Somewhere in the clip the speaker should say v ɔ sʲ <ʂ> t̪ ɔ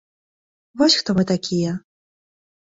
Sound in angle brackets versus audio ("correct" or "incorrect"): incorrect